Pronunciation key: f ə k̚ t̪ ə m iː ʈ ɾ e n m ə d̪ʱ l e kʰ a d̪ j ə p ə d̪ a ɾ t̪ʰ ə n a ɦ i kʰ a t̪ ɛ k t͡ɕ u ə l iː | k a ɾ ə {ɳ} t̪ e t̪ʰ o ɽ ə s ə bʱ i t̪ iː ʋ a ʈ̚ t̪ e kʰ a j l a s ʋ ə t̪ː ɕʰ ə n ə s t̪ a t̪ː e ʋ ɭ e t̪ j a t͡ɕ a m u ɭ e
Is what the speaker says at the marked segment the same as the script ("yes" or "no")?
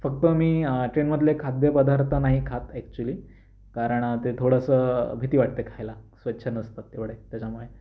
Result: yes